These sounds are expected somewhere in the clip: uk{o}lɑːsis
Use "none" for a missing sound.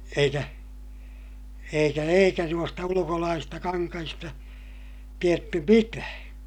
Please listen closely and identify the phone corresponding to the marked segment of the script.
o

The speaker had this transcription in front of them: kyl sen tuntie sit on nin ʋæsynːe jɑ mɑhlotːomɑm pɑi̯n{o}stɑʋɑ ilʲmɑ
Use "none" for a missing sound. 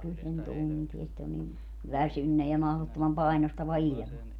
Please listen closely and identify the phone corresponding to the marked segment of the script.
o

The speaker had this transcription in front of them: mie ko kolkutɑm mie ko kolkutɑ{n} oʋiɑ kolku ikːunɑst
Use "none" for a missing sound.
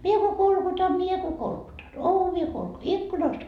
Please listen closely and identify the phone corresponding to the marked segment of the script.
n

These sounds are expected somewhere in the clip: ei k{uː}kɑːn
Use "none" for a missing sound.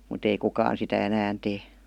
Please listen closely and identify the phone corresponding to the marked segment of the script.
u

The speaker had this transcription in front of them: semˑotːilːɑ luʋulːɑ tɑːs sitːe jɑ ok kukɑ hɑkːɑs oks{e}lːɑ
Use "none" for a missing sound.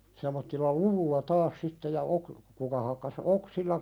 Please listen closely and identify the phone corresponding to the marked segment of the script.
i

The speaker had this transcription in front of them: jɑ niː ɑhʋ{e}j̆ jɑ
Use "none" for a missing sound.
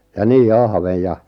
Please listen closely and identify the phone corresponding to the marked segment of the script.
e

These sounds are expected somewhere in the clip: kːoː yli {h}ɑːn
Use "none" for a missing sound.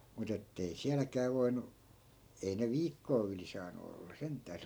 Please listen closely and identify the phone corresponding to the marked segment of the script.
s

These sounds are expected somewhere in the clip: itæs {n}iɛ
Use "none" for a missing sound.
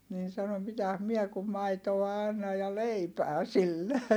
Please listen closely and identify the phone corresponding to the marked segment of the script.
m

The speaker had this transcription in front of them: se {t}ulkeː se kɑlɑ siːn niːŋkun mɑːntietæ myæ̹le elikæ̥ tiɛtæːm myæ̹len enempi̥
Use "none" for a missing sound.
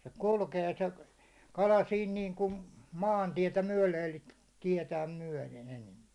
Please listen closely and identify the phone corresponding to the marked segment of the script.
k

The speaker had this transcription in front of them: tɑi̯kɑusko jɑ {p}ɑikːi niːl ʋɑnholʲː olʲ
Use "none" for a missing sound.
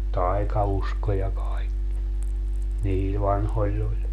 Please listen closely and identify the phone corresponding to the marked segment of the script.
k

